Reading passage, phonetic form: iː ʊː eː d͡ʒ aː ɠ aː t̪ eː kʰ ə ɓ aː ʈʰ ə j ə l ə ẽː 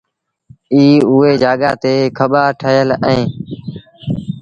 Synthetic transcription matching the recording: iː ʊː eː d͡ʒ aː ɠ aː t̪ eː kʰ ə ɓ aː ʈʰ ə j ə l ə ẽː